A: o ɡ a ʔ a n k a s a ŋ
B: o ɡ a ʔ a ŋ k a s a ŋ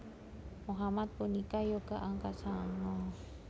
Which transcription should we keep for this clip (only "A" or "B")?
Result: B